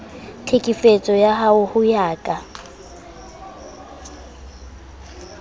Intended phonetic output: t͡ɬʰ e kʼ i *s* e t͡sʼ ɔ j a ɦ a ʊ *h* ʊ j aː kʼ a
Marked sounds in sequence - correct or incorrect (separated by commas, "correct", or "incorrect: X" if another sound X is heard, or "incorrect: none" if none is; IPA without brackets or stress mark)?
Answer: incorrect: f, correct